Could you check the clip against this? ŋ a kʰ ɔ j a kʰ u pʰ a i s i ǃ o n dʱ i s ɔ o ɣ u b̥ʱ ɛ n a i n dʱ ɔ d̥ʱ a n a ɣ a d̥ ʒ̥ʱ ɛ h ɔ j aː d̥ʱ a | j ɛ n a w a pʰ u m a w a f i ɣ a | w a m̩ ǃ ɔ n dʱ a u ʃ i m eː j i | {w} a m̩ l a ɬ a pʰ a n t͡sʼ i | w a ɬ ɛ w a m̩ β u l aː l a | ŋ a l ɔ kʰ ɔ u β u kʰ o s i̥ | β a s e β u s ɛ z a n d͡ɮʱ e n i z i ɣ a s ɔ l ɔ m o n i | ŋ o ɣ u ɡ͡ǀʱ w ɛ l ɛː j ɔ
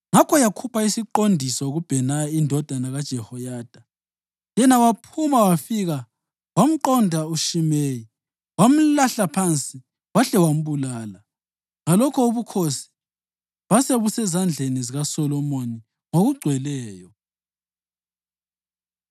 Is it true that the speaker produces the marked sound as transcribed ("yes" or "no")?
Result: yes